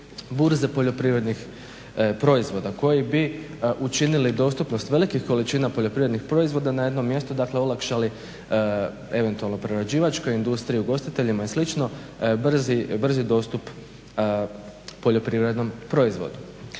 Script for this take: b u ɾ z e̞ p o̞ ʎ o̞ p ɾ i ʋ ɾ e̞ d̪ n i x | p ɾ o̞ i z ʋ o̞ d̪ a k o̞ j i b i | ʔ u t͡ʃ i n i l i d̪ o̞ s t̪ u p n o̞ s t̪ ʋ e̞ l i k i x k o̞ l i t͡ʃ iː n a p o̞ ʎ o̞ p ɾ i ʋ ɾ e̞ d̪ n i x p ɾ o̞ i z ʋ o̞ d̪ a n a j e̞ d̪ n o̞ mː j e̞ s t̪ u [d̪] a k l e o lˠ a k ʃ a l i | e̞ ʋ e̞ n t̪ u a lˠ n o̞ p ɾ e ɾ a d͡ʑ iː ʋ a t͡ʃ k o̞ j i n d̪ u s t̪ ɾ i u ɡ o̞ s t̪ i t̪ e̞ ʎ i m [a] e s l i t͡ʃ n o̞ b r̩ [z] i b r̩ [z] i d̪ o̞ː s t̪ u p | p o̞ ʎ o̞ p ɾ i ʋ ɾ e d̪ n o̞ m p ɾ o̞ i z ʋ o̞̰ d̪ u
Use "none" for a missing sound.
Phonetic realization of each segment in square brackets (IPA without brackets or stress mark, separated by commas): d̪, a, z, z